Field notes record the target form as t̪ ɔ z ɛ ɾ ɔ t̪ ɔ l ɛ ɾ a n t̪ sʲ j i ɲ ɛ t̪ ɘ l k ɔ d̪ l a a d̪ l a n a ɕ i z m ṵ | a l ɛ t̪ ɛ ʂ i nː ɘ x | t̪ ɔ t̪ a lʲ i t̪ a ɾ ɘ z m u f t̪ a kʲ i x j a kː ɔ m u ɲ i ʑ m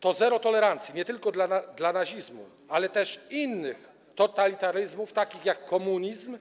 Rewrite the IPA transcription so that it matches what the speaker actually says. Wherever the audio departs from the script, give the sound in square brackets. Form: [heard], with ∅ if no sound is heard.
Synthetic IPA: t̪ ɔ z ɛ ɾ ɔ t̪ ɔ l ɛ ɾ a n t̪ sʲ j i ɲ ɛ t̪ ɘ l k ɔ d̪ l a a d̪ l a n a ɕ i z m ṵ | a l ɛ t̪ ɛ ʂ i nː ɘ x | t̪ ɔ t̪ a lʲ i t̪ a ɾ ɘ z m u f t̪ a kʲ i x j a kː ɔ m u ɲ i [z] m